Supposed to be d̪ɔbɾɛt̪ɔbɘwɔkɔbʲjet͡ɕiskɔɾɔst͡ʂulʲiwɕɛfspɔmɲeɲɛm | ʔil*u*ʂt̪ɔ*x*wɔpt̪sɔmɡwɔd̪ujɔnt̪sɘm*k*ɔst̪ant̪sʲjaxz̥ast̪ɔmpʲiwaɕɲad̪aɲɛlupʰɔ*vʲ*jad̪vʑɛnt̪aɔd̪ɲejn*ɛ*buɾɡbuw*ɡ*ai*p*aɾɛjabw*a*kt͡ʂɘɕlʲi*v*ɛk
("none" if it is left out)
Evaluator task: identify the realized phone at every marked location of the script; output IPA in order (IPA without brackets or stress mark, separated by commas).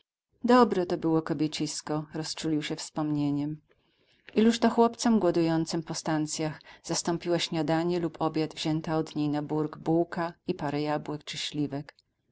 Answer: u, x, p, bʲ, a, k, p, ɛ, v